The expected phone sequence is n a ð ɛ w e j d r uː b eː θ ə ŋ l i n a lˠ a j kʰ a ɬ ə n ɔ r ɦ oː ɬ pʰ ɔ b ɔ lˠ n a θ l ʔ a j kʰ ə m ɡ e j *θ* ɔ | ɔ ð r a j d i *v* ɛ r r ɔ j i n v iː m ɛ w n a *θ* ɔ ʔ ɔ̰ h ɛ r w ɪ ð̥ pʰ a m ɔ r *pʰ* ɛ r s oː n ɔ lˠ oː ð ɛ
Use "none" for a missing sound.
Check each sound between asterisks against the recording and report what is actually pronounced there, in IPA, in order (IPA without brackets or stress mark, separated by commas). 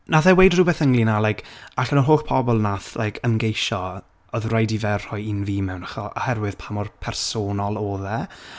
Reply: ʃ, v, χ, pʰ